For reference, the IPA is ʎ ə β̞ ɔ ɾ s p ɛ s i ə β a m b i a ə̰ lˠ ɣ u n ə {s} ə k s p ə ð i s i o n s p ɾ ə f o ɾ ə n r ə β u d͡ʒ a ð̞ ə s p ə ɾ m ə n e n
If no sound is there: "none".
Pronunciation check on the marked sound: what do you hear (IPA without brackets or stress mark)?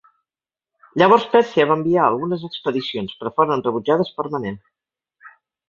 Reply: z